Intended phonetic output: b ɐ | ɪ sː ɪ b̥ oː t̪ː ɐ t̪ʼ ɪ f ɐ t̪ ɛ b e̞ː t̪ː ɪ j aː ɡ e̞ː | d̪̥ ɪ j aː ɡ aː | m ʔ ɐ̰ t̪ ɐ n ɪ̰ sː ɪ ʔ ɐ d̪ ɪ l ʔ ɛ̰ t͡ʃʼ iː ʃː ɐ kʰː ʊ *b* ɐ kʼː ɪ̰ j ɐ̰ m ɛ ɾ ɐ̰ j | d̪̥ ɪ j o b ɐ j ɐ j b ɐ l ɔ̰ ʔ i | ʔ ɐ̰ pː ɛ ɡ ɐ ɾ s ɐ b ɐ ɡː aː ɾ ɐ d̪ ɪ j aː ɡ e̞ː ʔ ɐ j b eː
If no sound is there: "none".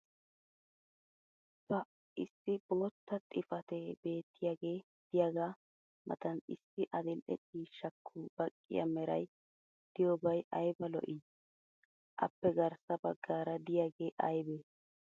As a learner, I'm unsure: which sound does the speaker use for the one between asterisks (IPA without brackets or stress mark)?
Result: b